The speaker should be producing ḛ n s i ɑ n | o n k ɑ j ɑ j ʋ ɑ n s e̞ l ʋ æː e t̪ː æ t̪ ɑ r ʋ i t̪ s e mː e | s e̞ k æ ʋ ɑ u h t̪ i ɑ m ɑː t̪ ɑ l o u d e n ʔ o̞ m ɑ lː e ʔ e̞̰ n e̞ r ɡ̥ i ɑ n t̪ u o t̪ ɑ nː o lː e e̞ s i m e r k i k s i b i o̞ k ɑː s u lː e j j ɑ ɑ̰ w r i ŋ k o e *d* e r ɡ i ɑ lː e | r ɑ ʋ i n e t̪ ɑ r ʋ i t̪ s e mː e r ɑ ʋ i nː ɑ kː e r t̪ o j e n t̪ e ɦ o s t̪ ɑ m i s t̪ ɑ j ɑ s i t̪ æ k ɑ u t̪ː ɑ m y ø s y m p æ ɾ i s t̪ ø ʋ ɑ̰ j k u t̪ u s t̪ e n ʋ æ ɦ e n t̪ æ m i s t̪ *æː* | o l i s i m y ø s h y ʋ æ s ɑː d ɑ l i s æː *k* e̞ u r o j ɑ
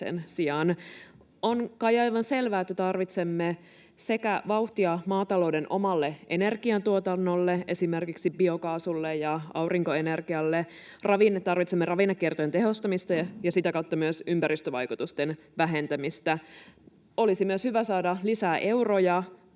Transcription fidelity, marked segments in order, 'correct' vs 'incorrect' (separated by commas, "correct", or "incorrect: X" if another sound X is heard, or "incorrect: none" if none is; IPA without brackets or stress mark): incorrect: n, incorrect: æ, incorrect: ʔ